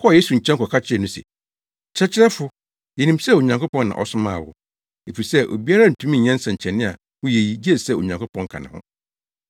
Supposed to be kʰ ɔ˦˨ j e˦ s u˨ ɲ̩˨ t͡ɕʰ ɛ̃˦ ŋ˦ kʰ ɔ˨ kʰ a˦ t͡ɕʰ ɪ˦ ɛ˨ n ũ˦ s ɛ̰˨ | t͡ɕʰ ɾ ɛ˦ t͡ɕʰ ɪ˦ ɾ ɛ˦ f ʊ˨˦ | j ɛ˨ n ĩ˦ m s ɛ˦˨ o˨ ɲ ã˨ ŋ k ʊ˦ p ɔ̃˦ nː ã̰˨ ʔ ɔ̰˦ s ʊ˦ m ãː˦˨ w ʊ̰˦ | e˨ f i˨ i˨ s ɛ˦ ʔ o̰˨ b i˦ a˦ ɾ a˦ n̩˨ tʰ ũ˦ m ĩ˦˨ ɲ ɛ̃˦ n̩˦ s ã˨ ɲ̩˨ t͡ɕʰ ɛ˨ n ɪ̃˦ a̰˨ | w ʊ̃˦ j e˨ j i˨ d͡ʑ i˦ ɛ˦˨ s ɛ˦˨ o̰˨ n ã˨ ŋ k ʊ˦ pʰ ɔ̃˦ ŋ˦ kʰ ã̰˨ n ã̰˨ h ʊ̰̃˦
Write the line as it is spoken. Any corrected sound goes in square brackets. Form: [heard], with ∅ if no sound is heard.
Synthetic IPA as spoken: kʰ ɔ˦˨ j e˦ s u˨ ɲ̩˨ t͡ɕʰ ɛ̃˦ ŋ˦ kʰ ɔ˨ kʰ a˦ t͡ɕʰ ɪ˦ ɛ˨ n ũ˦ s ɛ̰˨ | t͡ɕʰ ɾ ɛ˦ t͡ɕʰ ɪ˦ ɾ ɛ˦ f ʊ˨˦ | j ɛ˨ n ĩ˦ m s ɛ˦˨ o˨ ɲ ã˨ ŋ k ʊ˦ p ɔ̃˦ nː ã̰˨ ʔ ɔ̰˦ s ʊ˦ m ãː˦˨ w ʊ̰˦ | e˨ f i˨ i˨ s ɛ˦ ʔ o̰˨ b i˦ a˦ ɾ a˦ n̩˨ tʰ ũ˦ m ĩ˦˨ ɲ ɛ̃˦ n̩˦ s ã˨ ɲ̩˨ t͡ɕʰ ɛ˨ n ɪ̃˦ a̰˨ | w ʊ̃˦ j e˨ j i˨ d͡ʑ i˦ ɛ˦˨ s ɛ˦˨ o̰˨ [ɲ] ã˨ ŋ k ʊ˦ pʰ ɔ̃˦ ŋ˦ kʰ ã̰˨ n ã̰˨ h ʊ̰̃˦